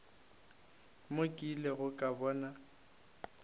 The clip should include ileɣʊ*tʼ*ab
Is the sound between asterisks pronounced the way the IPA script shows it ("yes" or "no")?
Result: no